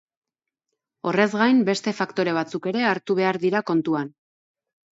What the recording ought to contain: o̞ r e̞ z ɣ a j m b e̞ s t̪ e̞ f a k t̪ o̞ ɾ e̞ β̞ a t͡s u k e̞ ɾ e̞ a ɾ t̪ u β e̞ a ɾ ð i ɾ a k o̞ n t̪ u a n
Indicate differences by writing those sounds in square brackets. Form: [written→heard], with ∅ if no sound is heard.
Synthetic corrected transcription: o̞ r e̞ z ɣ a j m b e̞ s t̪ e̞ f a k t̪ o̞ ɾ e̞ β̞ a t͡s u k e̞ ɾ e̞ a ɾ t̪ u β e̞ a ɾ ð i ɾ a k o̞ n t̪ u a n